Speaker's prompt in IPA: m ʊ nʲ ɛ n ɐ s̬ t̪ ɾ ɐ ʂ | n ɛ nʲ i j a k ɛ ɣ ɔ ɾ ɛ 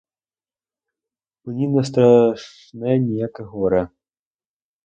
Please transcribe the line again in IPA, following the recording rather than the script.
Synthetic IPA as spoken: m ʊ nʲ i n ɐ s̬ t̪ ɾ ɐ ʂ | n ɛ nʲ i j a k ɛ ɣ ɔ ɾ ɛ